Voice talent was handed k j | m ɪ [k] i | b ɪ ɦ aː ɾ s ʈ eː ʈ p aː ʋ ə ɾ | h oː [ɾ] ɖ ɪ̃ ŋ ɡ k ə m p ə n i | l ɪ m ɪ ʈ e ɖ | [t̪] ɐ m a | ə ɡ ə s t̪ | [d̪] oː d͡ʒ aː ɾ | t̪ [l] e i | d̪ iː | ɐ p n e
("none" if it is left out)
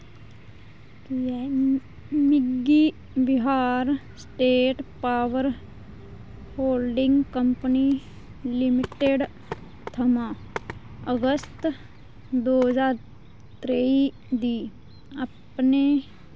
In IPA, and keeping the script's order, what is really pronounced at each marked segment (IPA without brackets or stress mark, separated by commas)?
ɡ, l, t̪ʰ, d̪, ɾ